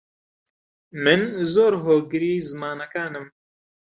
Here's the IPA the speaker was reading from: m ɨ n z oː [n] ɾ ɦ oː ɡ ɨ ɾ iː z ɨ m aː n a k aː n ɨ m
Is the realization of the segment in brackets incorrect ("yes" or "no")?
yes